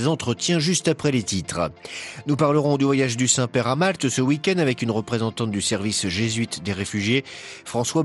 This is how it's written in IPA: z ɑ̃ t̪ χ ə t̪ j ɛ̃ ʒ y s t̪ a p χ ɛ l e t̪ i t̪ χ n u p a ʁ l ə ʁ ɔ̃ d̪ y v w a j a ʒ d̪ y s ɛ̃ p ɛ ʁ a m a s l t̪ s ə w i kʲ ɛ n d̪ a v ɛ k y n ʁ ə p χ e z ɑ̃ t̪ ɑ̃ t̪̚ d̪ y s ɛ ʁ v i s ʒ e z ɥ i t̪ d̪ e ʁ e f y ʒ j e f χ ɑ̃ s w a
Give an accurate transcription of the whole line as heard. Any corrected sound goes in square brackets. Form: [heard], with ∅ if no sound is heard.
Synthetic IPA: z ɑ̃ t̪ χ ə t̪ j ɛ̃ ʒ y s t̪ a p χ ɛ l e t̪ i t̪ χ n u p a ʁ l ə ʁ ɔ̃ d̪ y v w a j a ʒ d̪ y s ɛ̃ p ɛ ʁ a m a [∅] l t̪ s ə w i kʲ ɛ n d̪ a v ɛ k y n ʁ ə p χ e z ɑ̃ t̪ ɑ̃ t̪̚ d̪ y s ɛ ʁ v i s ʒ e z ɥ i t̪ d̪ e ʁ e f y ʒ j e f χ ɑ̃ s w a